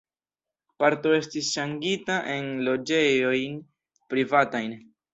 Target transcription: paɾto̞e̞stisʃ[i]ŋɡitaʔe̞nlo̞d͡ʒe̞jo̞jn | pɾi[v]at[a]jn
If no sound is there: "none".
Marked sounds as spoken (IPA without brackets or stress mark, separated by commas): a, v, a